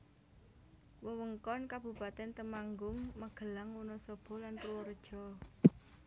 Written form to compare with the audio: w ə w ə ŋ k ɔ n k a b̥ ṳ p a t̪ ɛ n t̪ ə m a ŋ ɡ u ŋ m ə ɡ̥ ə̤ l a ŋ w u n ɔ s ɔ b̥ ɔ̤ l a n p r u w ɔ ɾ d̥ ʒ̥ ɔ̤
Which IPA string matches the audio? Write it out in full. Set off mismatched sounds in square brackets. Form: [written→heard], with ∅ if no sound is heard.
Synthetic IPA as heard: w ə w ə ŋ k ɔ n k a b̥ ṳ p a t̪ ɛ n t̪ ə m a ŋ ɡ [u→ʊ] ŋ m ə ɡ̥ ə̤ l a ŋ w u n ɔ s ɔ b̥ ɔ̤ l a n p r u w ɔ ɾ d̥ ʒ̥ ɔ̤